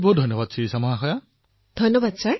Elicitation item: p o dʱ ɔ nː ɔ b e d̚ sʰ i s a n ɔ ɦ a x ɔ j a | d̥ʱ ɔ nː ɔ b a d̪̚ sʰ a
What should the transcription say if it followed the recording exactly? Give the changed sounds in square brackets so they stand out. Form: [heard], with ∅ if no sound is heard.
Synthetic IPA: [b] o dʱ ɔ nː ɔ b [a] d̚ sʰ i s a [m] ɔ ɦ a x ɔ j a | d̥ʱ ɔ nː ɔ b a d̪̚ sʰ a